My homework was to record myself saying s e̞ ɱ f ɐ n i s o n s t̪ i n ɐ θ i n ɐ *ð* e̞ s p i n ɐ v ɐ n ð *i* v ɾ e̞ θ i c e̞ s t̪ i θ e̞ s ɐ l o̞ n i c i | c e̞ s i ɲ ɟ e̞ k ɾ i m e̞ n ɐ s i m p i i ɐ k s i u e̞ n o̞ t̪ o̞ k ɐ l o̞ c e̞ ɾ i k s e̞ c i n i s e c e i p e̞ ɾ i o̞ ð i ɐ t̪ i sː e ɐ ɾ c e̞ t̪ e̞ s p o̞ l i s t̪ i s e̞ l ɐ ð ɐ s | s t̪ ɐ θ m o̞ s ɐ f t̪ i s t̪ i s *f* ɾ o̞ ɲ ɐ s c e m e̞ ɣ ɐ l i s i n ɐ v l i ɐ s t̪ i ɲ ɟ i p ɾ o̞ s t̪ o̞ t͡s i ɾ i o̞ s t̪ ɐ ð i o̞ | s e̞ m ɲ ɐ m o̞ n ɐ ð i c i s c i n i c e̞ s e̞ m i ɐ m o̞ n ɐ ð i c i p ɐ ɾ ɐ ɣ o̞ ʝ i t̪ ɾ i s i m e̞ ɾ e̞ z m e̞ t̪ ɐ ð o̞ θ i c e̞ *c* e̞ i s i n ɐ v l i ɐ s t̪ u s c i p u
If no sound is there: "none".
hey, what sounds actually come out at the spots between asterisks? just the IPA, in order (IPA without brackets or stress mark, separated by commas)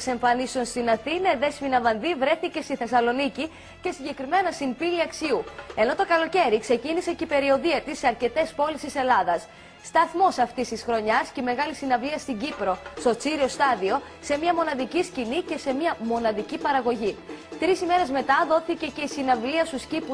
ð, i, x, c